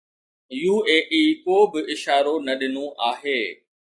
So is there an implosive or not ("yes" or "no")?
yes